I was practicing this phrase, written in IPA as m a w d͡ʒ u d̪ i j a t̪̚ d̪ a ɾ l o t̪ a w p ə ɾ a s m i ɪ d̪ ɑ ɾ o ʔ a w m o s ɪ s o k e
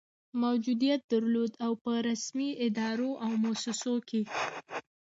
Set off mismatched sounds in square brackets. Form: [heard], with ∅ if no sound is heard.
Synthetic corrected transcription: m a w d͡ʒ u d̪ i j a t̪̚ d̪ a ɾ l o [d̪] a w p ə ɾ a s m i ɪ d̪ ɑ ɾ o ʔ a w m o s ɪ s o k e